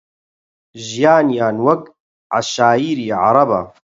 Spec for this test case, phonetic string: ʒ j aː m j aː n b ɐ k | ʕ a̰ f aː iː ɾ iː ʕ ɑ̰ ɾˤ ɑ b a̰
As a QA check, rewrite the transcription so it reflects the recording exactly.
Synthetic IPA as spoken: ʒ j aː n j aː n w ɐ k | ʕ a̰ ʃ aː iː ɾ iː ʕ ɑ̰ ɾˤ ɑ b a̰